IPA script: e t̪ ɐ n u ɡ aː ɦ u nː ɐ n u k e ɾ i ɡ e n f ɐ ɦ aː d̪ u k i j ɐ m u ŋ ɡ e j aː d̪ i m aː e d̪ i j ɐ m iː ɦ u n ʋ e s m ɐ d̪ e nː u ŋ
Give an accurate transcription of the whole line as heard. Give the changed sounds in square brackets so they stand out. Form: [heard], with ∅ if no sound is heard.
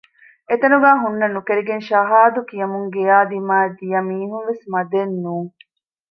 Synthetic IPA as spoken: e t̪ ɐ n u ɡ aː ɦ u nː ɐ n u k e ɾ i ɡ e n [ʃ] ɐ ɦ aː d̪ u k i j ɐ m u ŋ ɡ e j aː d̪ i m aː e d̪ i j ɐ m iː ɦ u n ʋ e s m ɐ d̪ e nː [uː] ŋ

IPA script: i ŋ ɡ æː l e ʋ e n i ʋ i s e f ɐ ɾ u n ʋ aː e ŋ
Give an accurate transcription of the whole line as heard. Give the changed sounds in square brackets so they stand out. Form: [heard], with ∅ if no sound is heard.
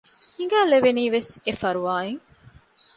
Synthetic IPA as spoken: i ŋ ɡ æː l e ʋ e n [iː] ʋ [e] s e f ɐ ɾ u [∅] ʋ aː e ŋ

